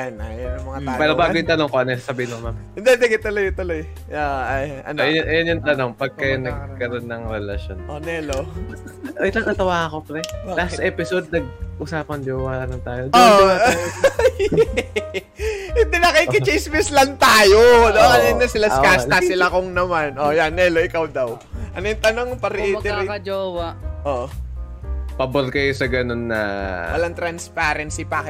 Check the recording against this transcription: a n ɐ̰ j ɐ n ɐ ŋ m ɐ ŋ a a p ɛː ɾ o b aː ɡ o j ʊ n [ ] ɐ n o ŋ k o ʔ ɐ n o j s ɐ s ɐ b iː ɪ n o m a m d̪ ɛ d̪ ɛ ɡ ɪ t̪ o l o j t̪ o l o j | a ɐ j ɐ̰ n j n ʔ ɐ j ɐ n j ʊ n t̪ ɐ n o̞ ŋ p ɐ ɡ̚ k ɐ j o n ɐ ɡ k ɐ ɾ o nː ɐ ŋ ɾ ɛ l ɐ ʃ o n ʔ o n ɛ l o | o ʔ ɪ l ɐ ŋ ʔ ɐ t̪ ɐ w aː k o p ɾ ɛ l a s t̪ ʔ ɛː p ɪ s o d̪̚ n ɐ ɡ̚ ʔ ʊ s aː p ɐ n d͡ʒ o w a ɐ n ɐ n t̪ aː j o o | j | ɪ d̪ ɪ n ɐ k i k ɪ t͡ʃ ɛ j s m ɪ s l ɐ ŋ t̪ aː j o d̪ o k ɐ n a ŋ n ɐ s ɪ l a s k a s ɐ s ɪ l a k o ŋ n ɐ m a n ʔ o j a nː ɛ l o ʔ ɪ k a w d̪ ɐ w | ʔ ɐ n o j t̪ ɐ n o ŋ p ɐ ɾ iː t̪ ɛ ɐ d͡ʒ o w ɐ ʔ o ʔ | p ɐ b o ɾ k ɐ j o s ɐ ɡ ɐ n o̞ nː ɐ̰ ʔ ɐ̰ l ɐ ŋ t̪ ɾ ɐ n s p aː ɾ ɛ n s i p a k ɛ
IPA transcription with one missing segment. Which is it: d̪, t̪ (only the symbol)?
t̪